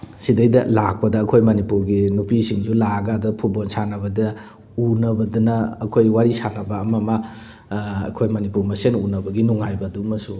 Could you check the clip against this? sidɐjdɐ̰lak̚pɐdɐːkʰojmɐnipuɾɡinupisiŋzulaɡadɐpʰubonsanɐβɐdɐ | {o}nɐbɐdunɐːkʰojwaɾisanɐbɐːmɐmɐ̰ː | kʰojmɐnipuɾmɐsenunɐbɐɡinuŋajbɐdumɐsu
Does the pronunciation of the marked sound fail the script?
yes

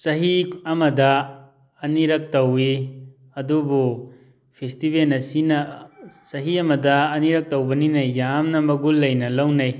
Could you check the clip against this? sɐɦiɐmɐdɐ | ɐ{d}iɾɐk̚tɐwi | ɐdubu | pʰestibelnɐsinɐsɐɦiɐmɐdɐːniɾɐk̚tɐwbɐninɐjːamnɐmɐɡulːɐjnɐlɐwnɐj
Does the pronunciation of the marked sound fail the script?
yes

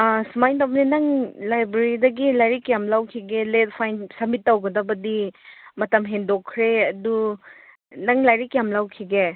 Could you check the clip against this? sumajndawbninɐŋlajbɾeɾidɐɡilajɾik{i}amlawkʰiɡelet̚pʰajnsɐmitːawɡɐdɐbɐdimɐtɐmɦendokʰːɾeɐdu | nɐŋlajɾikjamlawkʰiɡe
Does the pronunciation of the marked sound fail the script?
yes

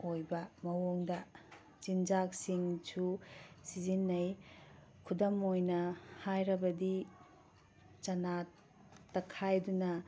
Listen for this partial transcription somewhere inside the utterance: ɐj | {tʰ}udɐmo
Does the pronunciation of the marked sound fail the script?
yes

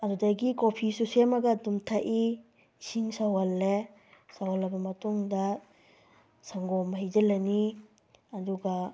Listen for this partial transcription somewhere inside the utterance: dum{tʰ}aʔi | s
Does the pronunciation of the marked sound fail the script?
no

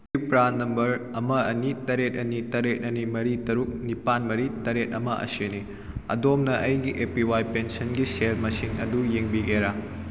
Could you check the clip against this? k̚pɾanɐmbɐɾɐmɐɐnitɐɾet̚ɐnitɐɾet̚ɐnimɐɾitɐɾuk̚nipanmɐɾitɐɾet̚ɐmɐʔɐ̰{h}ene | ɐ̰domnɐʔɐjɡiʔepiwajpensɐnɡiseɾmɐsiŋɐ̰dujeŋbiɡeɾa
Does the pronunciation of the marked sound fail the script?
yes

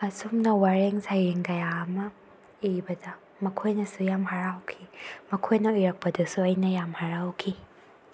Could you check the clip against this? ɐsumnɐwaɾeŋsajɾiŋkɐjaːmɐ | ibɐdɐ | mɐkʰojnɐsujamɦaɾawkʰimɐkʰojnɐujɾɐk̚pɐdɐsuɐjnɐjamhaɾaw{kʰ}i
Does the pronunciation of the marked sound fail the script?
no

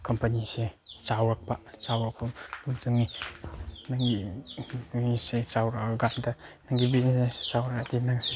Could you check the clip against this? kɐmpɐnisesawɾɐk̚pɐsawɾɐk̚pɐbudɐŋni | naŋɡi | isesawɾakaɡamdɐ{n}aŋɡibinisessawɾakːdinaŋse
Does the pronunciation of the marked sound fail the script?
no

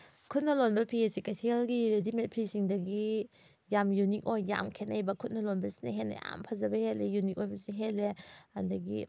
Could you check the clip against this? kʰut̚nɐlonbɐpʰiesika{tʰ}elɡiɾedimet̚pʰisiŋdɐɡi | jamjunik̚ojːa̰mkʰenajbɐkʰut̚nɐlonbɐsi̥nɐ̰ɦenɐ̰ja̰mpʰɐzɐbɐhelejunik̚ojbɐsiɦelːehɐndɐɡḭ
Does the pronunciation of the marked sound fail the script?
no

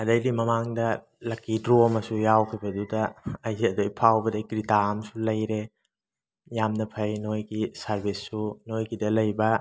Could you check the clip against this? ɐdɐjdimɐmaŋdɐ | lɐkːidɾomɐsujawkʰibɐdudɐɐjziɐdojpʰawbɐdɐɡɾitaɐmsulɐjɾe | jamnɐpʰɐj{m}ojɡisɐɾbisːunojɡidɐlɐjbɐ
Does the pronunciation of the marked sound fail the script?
yes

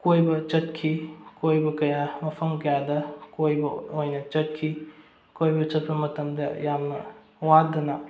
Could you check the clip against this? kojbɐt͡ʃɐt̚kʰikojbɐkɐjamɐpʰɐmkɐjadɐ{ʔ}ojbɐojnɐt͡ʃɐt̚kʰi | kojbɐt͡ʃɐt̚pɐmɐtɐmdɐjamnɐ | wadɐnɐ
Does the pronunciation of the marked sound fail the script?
yes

